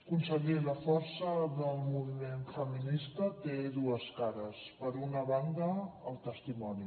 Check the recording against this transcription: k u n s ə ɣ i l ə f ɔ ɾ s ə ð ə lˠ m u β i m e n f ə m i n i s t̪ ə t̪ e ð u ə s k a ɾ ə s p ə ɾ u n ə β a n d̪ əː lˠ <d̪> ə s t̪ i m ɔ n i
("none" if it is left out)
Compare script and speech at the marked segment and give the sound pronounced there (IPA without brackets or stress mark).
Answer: t̪